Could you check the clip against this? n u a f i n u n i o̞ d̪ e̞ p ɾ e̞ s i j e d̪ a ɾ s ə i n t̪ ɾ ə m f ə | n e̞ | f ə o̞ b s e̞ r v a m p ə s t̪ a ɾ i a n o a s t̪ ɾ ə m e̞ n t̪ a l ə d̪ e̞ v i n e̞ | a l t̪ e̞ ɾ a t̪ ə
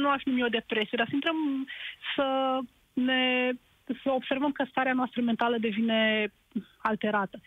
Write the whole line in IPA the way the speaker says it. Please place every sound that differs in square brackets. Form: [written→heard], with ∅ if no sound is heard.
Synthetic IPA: n u a f i n u [n→m] i o̞ d̪ e̞ p ɾ e̞ s i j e d̪ a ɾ s ə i n t̪ ɾ ə m [f→s] ə | n e̞ | [f→s] ə o̞ b s e̞ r v [a→ə] m [p→k] ə s t̪ a ɾ [i→e] a n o a s t̪ ɾ ə m e̞ n t̪ a l ə d̪ e̞ v i n e̞ | a l t̪ e̞ ɾ a t̪ ə